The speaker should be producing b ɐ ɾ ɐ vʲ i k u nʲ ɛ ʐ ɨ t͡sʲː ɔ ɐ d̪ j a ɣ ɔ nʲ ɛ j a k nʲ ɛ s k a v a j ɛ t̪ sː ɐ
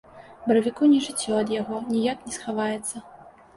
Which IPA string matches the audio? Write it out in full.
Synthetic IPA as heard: b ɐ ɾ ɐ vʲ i k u nʲ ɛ ʐ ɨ t͡sʲː ɔ ɐ d̪ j a ɣ ɔ nʲ i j a k nʲ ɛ s x a v a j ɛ t̪ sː ɐ